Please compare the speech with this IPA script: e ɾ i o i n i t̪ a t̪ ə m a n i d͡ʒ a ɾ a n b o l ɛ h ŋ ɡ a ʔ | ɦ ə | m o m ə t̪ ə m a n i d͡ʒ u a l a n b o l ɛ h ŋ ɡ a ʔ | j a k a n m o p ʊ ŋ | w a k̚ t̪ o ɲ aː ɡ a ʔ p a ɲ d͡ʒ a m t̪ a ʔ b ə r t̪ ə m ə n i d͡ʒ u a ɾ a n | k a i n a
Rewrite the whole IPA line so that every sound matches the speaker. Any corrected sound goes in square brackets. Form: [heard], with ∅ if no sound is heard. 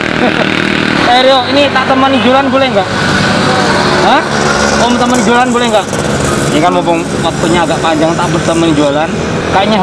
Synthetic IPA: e ɾ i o i n i t̪ a t̪ ə m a n i d͡ʒ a [l] a n b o l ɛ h ŋ ɡ a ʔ | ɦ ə | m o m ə t̪ ə m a n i d͡ʒ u a l a n b o l ɛ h ŋ ɡ a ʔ | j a k a n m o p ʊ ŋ | w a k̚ t̪ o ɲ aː ɡ a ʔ p a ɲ d͡ʒ a [ŋ] t̪ a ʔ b ə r t̪ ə m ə n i d͡ʒ u a [l] a n | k a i [ɲ] a